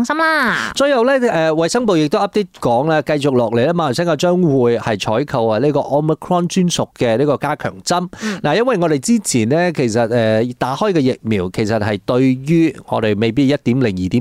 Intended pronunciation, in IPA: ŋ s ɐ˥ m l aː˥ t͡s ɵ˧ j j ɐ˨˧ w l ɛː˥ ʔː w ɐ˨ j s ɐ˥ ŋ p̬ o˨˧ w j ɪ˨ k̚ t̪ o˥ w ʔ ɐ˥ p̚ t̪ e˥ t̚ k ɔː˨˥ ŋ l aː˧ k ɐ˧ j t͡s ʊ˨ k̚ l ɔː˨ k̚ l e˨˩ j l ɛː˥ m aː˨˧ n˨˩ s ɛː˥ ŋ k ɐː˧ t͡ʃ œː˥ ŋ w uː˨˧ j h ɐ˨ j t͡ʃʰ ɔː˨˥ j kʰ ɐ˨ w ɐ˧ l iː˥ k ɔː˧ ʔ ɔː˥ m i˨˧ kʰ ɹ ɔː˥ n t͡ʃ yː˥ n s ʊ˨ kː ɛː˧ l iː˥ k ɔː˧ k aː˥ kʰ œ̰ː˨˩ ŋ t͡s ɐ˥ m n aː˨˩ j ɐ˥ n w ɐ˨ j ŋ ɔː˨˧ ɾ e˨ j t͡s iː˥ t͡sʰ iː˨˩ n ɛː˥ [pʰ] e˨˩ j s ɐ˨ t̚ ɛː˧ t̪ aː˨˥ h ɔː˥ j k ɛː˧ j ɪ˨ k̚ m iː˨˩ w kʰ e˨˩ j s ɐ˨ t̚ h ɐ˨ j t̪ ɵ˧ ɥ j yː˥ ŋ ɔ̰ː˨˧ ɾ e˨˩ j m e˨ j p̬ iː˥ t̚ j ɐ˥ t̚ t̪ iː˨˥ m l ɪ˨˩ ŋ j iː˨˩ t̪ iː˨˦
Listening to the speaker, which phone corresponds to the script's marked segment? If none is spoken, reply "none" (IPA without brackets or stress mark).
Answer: kʰ